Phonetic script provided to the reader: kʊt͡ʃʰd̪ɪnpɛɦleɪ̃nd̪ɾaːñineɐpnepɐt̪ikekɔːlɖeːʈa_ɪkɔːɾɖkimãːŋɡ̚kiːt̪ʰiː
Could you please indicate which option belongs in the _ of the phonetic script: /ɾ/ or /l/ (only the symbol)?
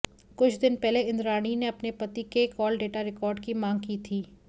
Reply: ɾ